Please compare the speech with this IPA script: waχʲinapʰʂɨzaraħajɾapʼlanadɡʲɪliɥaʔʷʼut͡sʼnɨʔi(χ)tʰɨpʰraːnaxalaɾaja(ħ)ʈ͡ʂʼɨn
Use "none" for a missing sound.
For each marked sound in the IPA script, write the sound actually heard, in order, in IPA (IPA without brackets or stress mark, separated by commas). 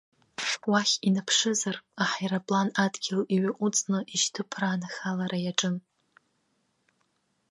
ʃ, none